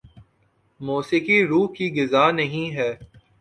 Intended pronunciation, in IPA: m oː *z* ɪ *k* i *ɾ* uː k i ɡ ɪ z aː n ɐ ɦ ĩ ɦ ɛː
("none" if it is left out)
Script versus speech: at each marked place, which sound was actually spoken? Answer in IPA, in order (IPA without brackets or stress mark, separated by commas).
s, k, ɾ